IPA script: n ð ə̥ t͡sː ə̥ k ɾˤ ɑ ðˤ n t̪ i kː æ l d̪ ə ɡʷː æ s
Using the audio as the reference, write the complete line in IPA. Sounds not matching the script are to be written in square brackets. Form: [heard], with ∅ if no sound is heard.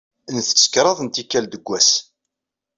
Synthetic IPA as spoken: n [θ] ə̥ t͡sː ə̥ k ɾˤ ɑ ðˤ n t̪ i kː æ l d̪ ə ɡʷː æ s